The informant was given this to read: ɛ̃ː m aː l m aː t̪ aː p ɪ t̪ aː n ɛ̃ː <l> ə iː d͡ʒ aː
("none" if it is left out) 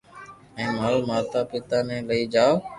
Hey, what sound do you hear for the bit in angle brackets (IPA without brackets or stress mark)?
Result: l